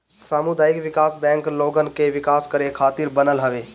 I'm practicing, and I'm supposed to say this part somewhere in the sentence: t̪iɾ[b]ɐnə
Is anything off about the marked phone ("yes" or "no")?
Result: no